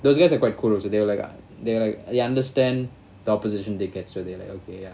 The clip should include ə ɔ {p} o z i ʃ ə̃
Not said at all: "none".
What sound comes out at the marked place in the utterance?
p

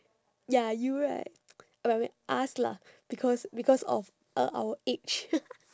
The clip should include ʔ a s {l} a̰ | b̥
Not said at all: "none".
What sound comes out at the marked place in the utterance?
l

